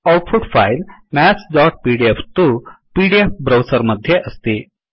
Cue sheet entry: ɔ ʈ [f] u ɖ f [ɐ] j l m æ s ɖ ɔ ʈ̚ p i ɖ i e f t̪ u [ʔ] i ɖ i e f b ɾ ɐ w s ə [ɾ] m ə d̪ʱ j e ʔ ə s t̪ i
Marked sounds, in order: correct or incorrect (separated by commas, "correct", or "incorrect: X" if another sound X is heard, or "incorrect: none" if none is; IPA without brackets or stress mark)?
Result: correct, incorrect: a, incorrect: p, correct